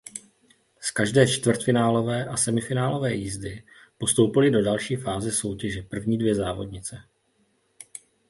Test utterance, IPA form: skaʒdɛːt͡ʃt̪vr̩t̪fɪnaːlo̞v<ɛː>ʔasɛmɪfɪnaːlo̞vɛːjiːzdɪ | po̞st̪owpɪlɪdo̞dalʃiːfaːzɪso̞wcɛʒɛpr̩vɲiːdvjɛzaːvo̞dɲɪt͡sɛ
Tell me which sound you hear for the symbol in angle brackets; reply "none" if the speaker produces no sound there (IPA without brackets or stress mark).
ɛː